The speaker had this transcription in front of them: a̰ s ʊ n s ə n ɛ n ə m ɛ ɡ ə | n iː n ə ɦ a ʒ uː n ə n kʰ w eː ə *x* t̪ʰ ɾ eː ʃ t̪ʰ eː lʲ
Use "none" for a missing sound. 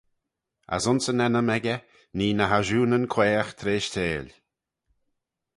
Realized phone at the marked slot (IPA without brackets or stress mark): x